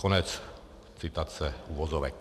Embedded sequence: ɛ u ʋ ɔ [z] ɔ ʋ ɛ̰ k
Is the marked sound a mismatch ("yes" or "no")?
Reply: no